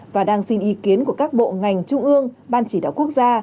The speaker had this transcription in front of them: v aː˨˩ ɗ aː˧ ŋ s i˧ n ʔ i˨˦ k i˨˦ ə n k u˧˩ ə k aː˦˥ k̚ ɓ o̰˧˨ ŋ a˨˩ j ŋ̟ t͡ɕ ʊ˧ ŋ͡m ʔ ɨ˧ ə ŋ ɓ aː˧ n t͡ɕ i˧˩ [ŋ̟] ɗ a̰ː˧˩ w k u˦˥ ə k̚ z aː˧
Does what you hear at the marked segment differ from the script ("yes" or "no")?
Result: yes